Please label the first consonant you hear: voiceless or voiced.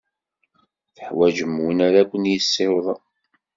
voiceless